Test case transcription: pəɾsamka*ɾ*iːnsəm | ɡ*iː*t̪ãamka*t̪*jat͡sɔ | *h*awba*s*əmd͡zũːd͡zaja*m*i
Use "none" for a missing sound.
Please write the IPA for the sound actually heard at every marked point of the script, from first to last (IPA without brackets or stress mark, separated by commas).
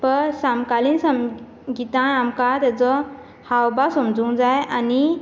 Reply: l, i, t̪, h, s, n